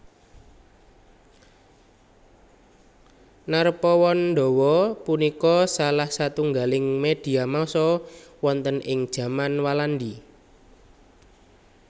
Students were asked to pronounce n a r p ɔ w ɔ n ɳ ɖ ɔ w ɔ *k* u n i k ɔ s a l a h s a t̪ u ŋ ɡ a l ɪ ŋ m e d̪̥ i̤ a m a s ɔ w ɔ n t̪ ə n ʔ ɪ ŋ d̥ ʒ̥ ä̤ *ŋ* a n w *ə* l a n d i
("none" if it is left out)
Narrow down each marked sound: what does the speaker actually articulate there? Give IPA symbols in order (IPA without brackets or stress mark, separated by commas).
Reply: p, m, a